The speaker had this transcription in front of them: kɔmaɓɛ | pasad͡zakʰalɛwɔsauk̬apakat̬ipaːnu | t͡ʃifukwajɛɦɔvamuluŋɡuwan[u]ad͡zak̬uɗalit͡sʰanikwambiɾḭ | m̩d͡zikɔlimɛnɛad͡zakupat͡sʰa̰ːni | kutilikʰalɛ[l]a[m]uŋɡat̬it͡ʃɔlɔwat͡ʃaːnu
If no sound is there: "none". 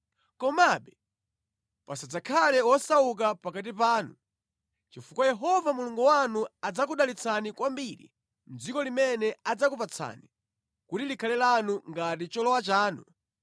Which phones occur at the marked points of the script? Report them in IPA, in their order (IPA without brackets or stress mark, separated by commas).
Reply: u, l, n